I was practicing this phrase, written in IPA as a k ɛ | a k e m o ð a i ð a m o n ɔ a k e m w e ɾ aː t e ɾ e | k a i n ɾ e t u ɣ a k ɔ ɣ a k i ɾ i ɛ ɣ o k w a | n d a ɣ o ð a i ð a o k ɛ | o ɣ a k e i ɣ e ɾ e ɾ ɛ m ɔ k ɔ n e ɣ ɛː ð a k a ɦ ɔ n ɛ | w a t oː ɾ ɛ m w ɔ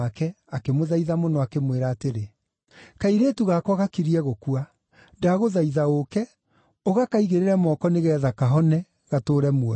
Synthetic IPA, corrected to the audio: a k ɛ | a k e m o ð a i ð a m o n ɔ a k e m w e ɾ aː t e ɾ e | k a i ɾ e t u ɣ a k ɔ ɣ a k i ɾ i ɛ ɣ o k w a | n d a ɣ o ð a i ð a o k ɛ | o ɣ a k a i ɣ e ɾ e ɾ ɛ m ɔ k ɔ n e ɣ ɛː ð a k a ɦ ɔ n ɛ | ɣ a t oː ɾ ɛ m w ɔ

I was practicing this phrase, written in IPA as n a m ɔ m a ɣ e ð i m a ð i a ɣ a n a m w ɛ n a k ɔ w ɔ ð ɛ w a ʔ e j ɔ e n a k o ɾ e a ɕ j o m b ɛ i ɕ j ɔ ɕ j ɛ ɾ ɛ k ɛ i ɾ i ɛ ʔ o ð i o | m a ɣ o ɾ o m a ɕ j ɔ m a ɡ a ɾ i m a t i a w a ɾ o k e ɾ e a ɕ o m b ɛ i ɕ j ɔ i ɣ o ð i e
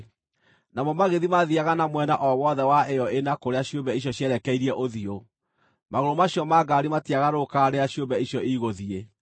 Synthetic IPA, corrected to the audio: n a m ɔ m a ɣ e ð i m a ð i a ɣ a n a m w ɛ n a ʔ ɔ w ɔ ð ɛ w a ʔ e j ɔ e n a k o ɾ e a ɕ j o m b ɛ i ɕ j ɔ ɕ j ɛ ɾ ɛ k ɛ i ɾ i ɛ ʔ o ð i o | m a ɣ o ɾ o m a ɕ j ɔ m a ɡ a ɾ i m a t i a ɣ a ɾ o k a ɾ e a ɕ o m b ɛ i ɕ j ɔ i ɣ o ð i e

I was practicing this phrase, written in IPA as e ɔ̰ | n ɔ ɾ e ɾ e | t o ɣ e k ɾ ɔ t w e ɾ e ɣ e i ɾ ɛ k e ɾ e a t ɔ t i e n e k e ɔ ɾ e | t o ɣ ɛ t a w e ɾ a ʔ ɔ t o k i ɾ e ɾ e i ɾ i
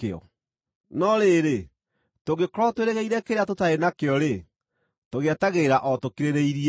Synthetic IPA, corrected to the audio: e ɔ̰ | n ɔ ɾ e ɾ e | t o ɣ e k ɾ ɔ t w e ɾ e ɣ e i ɾ ɛ k e ɾ e a t o t a e n a k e ɔ ɾ e | t o ɣ ɛ t a ɣ e ɾ a ʔ ɔ t o k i ɾ e ɾ e i ɾ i

